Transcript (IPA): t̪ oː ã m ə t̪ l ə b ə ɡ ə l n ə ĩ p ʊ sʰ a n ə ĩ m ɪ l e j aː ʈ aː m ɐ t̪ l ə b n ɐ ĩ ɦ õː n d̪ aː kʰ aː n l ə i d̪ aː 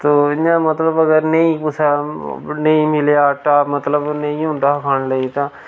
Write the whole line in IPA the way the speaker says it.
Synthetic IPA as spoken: t̪ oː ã m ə t̪ l ə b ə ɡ ə ɾ n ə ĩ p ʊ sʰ a n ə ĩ m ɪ l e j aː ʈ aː m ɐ t̪ l ə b n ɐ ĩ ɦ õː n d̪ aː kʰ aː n l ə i t̪ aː